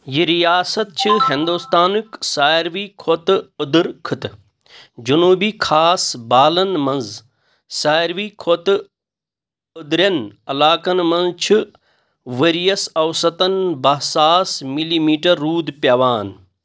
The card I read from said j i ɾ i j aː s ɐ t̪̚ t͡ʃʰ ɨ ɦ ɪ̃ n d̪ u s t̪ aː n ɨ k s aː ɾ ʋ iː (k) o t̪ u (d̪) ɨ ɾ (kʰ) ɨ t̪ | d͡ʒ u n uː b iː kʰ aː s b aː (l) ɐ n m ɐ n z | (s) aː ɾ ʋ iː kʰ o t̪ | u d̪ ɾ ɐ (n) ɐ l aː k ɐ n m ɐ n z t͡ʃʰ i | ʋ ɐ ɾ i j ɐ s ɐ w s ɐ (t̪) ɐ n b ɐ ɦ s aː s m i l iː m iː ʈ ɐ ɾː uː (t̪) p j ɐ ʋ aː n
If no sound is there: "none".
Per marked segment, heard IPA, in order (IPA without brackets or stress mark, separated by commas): kʰ, d̪, kʰ, l, s, n, t̪, d̪